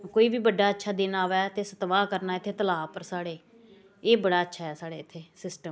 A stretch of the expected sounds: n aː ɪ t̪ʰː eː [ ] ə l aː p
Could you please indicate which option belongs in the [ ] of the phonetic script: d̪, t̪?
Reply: t̪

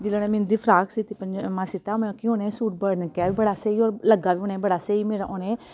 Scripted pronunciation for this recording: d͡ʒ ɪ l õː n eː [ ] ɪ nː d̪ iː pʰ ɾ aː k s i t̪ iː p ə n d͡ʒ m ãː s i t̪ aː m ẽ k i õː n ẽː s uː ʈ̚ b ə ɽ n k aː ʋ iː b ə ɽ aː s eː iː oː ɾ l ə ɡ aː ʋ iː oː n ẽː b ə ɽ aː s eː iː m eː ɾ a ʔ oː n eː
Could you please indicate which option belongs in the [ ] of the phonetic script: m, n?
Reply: m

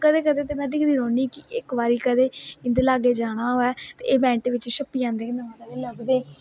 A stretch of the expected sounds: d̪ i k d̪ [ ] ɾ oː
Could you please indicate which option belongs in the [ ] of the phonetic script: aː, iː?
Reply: iː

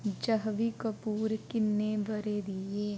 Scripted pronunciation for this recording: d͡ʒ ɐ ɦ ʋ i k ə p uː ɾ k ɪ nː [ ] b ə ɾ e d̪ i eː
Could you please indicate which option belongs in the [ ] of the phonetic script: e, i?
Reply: e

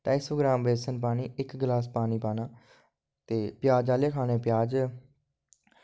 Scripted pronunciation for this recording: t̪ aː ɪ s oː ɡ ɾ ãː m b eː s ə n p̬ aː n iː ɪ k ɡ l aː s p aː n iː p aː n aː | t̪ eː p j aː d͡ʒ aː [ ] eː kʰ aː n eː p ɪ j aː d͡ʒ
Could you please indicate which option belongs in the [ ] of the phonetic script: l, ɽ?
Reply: l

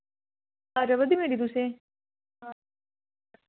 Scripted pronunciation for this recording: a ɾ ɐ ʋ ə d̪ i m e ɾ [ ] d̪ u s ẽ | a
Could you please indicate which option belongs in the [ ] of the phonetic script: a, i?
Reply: i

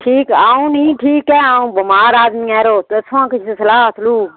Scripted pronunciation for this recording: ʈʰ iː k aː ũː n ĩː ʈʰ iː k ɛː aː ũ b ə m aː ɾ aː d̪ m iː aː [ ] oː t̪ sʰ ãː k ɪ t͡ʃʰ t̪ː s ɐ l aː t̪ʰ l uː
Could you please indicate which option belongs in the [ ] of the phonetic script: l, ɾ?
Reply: ɾ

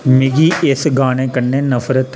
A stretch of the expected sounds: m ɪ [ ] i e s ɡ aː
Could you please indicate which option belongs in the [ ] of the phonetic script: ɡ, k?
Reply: ɡ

